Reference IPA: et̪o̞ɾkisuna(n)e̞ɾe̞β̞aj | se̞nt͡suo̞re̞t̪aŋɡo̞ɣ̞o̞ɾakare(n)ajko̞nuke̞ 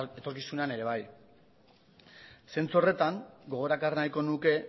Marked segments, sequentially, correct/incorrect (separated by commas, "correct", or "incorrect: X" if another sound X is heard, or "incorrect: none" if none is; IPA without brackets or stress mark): correct, correct